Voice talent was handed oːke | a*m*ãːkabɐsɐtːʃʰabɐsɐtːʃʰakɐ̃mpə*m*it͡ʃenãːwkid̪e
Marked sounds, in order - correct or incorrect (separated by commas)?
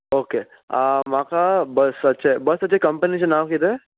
correct, incorrect